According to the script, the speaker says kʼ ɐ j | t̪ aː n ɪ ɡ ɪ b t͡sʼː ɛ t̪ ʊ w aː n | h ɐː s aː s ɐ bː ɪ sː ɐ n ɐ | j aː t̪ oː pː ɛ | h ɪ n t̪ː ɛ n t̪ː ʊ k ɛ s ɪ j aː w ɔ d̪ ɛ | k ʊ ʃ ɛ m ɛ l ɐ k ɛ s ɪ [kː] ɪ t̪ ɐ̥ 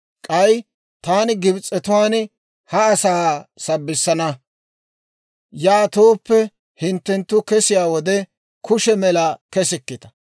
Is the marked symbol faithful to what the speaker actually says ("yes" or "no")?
yes